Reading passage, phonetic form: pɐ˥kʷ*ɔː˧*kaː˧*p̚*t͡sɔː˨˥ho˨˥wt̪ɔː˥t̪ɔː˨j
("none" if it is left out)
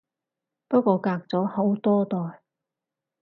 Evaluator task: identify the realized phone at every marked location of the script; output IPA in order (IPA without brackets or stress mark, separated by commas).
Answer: ɔː˧, k̚